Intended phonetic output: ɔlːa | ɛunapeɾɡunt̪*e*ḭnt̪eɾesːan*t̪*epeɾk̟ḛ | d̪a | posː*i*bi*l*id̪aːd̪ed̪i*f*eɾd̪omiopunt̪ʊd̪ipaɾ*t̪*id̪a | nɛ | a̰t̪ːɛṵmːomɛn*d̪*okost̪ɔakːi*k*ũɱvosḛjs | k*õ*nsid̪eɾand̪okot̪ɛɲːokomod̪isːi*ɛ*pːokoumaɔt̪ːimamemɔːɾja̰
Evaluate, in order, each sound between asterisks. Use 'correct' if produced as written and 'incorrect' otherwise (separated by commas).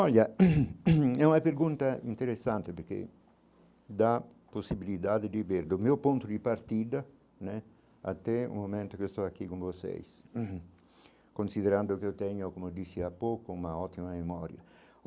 incorrect, correct, correct, correct, incorrect, correct, incorrect, correct, incorrect, incorrect